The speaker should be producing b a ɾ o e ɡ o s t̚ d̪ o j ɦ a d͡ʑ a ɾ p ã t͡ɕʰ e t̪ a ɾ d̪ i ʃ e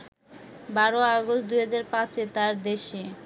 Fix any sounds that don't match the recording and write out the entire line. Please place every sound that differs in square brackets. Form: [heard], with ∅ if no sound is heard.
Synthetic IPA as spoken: b a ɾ o [a] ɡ o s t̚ d̪ [u] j ɦ a d͡ʑ a ɾ p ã [t͡ɕ] e t̪ a ɾ d̪ [e] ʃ e